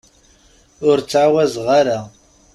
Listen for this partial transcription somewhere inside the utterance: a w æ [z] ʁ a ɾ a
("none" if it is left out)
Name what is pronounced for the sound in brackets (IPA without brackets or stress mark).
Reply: z